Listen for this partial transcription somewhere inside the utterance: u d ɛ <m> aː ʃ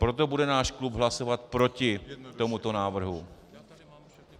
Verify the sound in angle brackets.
incorrect: n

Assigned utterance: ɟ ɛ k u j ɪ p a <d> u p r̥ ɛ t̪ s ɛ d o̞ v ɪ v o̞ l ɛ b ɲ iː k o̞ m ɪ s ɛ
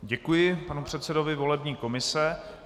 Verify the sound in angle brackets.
incorrect: n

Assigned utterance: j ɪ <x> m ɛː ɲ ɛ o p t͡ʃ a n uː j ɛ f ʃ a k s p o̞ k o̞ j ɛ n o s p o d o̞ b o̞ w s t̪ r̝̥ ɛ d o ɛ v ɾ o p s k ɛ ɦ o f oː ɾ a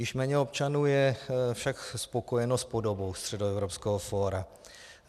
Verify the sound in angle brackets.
incorrect: ʃ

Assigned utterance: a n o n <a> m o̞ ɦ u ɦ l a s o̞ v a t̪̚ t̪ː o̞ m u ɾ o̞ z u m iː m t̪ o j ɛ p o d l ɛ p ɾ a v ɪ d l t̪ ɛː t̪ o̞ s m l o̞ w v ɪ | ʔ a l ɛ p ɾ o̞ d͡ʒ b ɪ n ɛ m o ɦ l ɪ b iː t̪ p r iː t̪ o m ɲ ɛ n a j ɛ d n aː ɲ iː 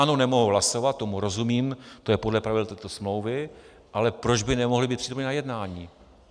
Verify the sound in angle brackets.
incorrect: ɛ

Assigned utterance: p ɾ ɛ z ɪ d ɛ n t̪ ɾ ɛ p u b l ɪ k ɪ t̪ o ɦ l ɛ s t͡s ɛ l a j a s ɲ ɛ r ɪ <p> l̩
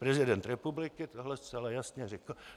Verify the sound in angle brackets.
incorrect: k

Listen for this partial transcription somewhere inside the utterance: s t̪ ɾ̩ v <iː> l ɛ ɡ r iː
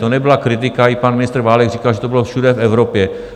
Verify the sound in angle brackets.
incorrect: aː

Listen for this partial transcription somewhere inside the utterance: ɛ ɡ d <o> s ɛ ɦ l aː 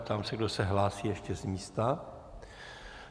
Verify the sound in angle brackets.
correct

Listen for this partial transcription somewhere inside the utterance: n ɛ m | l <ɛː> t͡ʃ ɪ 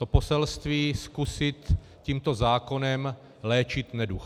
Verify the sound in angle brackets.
correct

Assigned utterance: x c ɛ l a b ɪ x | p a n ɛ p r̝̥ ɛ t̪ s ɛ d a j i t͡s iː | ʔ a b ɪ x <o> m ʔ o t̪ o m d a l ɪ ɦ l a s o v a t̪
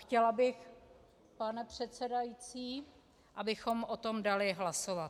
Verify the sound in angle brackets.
correct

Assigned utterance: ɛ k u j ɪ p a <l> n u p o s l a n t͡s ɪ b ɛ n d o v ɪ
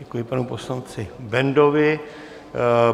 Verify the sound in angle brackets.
incorrect: none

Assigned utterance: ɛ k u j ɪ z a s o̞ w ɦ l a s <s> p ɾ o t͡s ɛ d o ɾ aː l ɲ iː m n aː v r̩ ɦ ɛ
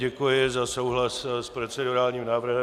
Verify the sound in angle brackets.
correct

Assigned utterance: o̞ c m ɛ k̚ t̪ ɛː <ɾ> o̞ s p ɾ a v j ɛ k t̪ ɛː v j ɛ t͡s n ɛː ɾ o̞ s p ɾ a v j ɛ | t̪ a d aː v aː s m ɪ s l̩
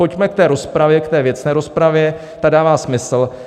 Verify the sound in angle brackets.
correct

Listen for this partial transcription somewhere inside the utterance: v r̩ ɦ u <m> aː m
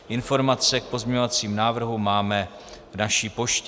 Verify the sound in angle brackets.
correct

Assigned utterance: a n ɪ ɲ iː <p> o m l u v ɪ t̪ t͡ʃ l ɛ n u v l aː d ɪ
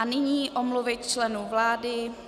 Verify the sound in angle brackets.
incorrect: ʔ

